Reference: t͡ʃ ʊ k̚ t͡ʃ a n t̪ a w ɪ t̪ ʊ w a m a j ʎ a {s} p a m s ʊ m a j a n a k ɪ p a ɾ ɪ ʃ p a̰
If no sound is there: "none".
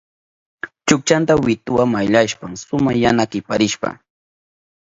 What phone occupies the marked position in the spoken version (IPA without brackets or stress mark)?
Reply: ʃ